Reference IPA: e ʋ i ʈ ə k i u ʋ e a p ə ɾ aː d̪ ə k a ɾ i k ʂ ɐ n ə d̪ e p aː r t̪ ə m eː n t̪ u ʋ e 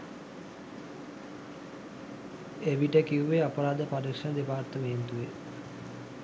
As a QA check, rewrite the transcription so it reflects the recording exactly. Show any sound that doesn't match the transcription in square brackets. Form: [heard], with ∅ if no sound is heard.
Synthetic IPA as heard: e ʋ i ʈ ə k i u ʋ e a p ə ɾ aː d̪ ə [p] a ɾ i k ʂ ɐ n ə d̪ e p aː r t̪ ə m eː n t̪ u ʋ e